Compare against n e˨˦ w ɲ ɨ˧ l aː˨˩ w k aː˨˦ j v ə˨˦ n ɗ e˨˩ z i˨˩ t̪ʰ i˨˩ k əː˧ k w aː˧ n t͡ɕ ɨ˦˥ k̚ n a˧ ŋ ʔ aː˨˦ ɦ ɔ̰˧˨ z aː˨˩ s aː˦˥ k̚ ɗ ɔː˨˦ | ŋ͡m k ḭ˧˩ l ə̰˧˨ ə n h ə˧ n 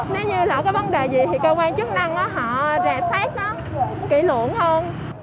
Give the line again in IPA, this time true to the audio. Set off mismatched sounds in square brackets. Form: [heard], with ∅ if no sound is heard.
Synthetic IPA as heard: n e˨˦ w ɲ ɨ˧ l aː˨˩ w k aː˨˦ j v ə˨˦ n ɗ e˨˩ z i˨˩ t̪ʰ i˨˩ k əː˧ k w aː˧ n t͡ɕ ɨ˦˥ k̚ n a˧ ŋ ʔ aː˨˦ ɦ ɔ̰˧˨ z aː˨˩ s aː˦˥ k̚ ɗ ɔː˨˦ | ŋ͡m k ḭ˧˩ l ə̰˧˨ ə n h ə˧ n

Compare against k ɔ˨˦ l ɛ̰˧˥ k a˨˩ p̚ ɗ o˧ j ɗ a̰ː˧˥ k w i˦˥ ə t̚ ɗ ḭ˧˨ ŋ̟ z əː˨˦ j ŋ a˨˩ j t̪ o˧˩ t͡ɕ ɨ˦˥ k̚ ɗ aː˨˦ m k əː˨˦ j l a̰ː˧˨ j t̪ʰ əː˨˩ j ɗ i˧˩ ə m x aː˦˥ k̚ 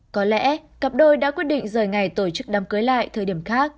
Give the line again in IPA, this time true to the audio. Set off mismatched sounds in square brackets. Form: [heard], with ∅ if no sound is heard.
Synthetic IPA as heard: k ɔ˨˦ l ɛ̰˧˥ k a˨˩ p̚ ɗ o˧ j ɗ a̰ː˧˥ k w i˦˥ ə t̚ ɗ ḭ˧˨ ŋ̟ z [əː˨˩] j ŋ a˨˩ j t̪ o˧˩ t͡ɕ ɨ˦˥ k̚ ɗ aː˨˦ m k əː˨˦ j l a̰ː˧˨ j t̪ʰ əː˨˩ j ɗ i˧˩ ə m x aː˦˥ k̚

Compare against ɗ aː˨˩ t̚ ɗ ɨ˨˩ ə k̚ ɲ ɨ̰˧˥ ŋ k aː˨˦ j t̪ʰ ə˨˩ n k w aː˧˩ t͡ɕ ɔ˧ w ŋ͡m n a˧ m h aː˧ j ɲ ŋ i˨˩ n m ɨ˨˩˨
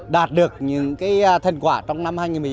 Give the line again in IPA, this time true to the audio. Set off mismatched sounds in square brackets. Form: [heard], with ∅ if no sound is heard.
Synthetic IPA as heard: ɗ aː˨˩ t̚ ɗ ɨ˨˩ ə k̚ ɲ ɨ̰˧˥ ŋ k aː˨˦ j t̪ʰ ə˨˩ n k w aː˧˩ t͡ɕ ɔ˧ w ŋ͡m n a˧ m h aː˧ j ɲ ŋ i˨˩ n m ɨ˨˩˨

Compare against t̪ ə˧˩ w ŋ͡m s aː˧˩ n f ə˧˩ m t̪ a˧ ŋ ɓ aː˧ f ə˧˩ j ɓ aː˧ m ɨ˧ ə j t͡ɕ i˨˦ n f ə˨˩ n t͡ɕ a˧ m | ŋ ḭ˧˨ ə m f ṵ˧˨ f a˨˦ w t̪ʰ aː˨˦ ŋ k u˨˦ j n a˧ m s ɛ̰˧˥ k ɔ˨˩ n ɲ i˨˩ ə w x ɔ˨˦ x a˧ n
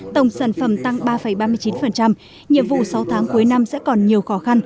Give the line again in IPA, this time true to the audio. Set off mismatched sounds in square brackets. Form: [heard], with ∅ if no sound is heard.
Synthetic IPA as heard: t̪ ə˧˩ w ŋ͡m s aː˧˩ n f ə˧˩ m t̪ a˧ ŋ ɓ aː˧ f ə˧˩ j ɓ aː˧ m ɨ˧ ə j t͡ɕ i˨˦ n f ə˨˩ n t͡ɕ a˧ m | [ɲ] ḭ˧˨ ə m [v] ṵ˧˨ [s] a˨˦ w t̪ʰ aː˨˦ ŋ k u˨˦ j n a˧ m s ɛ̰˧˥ k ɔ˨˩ n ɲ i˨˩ ə w x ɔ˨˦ x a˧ n

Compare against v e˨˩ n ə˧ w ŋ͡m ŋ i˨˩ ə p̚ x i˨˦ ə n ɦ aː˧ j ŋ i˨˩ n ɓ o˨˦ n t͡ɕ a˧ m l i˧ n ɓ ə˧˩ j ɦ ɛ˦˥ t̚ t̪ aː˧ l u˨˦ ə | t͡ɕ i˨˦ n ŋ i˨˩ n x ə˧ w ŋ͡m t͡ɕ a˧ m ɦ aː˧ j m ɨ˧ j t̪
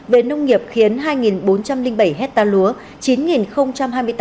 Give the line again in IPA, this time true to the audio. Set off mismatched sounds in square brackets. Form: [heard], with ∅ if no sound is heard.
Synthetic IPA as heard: v e˨˩ n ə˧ w ŋ͡m ŋ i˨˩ ə p̚ x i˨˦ ə n ɦ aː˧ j ŋ i˨˩ n ɓ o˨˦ n t͡ɕ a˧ m l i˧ [ŋ] ɓ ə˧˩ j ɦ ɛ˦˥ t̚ t̪ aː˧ l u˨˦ ə | t͡ɕ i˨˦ n ŋ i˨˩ n x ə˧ w ŋ͡m t͡ɕ a˧ m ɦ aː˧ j m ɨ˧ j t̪

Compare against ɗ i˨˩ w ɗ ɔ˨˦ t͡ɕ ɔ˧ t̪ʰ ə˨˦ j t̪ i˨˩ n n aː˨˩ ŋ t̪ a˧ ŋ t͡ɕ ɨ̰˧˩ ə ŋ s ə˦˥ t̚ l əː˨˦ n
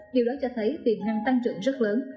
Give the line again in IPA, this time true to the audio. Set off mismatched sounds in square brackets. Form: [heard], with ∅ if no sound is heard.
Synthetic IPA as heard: ɗ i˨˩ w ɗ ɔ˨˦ t͡ɕ ɔ˧ t̪ʰ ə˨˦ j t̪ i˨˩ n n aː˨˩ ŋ t̪ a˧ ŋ t͡ɕ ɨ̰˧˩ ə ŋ [z] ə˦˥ t̚ l əː˨˦ n

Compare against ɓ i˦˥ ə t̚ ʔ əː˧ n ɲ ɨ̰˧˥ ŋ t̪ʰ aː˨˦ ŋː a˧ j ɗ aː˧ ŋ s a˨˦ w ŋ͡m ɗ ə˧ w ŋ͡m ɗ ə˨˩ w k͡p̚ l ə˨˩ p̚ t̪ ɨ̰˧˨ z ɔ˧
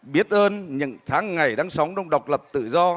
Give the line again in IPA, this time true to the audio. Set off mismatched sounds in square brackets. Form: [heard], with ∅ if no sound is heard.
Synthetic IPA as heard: ɓ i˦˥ ə t̚ ʔ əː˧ n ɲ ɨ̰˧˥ ŋ t̪ʰ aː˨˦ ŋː [a˨˩] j ɗ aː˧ ŋ s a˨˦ w ŋ͡m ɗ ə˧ w ŋ͡m ɗ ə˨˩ w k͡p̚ l ə˨˩ p̚ t̪ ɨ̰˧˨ z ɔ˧

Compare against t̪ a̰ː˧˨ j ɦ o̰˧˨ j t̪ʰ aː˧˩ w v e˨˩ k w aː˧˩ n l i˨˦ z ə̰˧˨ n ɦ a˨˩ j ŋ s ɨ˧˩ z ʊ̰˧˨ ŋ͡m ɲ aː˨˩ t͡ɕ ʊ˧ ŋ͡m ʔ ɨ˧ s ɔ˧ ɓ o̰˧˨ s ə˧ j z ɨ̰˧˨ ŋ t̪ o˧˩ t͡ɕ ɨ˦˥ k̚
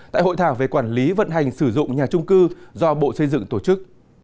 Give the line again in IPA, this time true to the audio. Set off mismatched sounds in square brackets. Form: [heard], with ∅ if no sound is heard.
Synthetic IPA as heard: t̪ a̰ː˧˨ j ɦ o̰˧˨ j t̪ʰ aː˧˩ w v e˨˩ k w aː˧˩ n l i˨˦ [v] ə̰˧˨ n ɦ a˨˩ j ŋ s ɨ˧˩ z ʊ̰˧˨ ŋ͡m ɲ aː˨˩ t͡ɕ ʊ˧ ŋ͡m [k] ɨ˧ [z] ɔ˧ ɓ o̰˧˨ s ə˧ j z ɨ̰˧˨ ŋ t̪ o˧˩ t͡ɕ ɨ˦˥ k̚

